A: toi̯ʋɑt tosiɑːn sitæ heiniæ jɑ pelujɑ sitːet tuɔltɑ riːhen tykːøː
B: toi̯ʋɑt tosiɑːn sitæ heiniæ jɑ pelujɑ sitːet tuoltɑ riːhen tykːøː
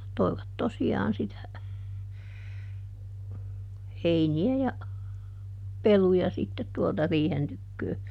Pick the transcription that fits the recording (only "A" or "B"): B